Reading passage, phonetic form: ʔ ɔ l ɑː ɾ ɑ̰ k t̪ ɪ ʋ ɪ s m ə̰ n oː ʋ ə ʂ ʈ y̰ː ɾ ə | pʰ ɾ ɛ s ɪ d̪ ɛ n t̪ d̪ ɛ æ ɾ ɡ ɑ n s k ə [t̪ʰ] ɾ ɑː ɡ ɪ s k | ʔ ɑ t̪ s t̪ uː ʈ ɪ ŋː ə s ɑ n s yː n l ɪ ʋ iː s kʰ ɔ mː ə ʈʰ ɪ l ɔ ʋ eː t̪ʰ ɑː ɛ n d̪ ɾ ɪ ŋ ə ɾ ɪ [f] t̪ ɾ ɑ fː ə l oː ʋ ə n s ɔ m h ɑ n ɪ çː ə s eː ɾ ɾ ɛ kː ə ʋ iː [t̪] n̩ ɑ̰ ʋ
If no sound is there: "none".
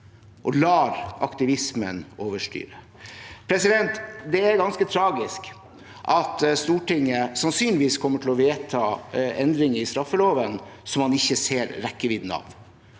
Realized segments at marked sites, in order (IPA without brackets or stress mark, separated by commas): t̪ʰ, s, d̪